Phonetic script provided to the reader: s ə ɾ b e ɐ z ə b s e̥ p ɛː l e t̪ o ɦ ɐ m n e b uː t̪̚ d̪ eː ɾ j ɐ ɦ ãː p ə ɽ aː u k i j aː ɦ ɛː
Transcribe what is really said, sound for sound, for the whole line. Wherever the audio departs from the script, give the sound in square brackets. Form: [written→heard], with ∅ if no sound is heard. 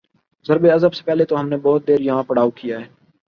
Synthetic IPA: [s→z] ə ɾ b e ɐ z ə b s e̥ p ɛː l e t̪ o ɦ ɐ m n e b [uː→ɔː] t̪̚ d̪ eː ɾ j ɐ ɦ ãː p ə ɽ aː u k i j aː ɦ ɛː